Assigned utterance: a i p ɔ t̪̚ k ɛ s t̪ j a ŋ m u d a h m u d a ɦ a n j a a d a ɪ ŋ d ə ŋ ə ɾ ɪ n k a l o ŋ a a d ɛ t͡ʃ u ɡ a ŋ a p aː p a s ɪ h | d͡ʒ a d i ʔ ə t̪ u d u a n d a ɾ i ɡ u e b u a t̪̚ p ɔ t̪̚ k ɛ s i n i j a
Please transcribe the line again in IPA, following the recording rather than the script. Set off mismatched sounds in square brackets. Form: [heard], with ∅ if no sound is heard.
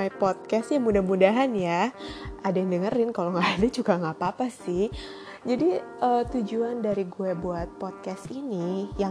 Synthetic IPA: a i p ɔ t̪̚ k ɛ s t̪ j a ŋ m u d a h m u d a ɦ a n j a a d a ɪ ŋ d ə ŋ ə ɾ ɪ n k a l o ŋ a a d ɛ t͡ʃ u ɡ a ŋ a p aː p a s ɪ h | d͡ʒ a d i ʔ ə t̪ u [d͡ʒ] u a n d a ɾ i ɡ u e b u a t̪̚ p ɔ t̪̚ k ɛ s i n i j a